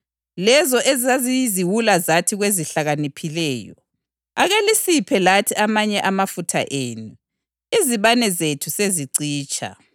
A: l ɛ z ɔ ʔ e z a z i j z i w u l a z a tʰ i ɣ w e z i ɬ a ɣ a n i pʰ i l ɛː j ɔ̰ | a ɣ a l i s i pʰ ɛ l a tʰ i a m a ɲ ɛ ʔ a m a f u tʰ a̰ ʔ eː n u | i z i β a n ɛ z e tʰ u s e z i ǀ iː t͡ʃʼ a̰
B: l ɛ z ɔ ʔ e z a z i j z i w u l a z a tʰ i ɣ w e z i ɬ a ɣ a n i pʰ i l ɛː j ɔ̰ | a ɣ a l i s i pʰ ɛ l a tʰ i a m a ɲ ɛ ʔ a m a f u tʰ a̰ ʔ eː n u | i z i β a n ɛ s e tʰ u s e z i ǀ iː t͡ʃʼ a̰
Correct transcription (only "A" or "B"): A